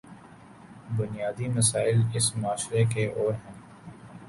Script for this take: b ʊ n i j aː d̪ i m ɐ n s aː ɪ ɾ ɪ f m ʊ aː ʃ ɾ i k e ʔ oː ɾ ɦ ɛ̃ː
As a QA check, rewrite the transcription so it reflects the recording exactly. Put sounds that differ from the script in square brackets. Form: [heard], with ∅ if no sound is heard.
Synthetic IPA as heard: b ʊ n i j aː d̪ i m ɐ [∅] s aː ɪ [l] ɪ [s] m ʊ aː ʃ ɾ [e] k e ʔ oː ɾ ɦ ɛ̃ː